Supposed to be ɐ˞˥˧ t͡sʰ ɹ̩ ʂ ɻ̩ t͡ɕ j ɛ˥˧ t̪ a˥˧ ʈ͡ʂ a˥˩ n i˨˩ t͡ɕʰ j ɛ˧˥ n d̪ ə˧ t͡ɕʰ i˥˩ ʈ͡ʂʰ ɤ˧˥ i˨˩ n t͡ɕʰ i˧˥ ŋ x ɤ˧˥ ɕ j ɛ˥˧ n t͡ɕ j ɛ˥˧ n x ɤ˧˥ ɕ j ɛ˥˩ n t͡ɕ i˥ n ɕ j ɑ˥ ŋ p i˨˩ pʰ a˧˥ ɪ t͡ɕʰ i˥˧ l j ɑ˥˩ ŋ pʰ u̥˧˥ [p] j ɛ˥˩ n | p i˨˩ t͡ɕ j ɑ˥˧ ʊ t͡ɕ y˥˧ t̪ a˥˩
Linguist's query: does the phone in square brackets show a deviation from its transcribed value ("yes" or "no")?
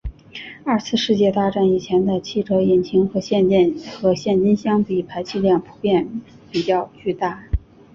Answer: no